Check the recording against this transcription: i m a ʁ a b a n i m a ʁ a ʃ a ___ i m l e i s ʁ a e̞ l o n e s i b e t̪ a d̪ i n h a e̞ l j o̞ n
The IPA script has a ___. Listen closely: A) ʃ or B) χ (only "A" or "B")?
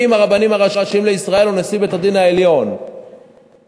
A